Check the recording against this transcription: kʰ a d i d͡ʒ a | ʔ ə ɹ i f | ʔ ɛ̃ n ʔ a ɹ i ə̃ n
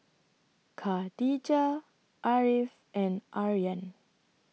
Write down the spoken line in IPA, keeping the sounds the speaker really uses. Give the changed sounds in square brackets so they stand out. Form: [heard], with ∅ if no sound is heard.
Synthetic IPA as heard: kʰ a d i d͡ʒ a | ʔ [a] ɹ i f | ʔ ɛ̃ n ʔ a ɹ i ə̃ n